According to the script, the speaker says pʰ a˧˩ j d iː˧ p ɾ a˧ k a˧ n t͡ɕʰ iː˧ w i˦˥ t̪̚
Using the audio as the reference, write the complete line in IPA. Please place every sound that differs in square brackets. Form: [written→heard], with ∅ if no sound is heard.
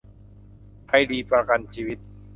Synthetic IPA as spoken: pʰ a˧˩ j d iː˧ p ɾ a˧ k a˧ n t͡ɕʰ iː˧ w i˦˥ t̪̚